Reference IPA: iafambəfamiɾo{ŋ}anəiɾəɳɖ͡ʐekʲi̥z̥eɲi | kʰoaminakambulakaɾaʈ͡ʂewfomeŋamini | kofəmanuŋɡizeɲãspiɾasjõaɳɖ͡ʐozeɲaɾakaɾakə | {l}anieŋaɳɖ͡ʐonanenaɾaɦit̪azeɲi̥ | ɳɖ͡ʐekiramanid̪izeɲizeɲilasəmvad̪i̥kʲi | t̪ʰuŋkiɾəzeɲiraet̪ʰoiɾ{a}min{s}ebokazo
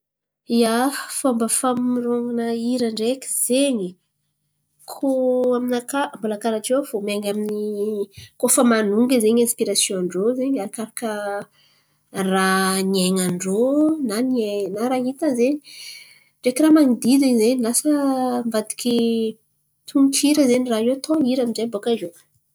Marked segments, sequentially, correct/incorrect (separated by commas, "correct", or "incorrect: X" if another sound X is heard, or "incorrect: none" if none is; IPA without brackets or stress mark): correct, incorrect: r, correct, incorrect: z